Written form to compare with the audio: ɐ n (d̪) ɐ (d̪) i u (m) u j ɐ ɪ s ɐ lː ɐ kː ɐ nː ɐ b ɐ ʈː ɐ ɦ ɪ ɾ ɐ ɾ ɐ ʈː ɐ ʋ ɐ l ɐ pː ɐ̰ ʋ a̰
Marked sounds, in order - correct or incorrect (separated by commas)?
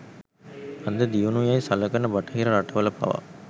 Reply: correct, correct, incorrect